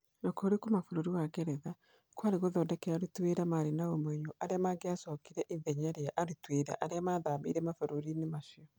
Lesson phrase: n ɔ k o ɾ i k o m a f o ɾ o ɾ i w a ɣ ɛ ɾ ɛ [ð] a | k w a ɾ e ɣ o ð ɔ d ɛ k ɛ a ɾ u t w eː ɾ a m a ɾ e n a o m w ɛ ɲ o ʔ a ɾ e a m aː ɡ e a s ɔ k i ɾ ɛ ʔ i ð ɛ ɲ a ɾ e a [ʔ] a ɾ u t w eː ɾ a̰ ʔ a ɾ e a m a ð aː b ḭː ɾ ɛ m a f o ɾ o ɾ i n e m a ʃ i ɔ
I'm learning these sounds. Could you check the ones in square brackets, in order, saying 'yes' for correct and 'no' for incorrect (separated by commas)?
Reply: yes, yes